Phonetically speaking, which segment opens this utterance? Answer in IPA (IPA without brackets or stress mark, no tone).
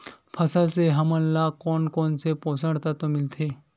pʰ